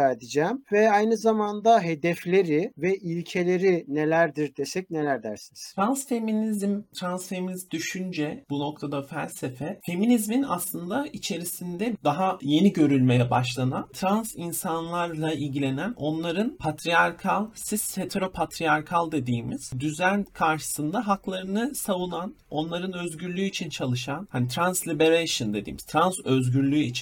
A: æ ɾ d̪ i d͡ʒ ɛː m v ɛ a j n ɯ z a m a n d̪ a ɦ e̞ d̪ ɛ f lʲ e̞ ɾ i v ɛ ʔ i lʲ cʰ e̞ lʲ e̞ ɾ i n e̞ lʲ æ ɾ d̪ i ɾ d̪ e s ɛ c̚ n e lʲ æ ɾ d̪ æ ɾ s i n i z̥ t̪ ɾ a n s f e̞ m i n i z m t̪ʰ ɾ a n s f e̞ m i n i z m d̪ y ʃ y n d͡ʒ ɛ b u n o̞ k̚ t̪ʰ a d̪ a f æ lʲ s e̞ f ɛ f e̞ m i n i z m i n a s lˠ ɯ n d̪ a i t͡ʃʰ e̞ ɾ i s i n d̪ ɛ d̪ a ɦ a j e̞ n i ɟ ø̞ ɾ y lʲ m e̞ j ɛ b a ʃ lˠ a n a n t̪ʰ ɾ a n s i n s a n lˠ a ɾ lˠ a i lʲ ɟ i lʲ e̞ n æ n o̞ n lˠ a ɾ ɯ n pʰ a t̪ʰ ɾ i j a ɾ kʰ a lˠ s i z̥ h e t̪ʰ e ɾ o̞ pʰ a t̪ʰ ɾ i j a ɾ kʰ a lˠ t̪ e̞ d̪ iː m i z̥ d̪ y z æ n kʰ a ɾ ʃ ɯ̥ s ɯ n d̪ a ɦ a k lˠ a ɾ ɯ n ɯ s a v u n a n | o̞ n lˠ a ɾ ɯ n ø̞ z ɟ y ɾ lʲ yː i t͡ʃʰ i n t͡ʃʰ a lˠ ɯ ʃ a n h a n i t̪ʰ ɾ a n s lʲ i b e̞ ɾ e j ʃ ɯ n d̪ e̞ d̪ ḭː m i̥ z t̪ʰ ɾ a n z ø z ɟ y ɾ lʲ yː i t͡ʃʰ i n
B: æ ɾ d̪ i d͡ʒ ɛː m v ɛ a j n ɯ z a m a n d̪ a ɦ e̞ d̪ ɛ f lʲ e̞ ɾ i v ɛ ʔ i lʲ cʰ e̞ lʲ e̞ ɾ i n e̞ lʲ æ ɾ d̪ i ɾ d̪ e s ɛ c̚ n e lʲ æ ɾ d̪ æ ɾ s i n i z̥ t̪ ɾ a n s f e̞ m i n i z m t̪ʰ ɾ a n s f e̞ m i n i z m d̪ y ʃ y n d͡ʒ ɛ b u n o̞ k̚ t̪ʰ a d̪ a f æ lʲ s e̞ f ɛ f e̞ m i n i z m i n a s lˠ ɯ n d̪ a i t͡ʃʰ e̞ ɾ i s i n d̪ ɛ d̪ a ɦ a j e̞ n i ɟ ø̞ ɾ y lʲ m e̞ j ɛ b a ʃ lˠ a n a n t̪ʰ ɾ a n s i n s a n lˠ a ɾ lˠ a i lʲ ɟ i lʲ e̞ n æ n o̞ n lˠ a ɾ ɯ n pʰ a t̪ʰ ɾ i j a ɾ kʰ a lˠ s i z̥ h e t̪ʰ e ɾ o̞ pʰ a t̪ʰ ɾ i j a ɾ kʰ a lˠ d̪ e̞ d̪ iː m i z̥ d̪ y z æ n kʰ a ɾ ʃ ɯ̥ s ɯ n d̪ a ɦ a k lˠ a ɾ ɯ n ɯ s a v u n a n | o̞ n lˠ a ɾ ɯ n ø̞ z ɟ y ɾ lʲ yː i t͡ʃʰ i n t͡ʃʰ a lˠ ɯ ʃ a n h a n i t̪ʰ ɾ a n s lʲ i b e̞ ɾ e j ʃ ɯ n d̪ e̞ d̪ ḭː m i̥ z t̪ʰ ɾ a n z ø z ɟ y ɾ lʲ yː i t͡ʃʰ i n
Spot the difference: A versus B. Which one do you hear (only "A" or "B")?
B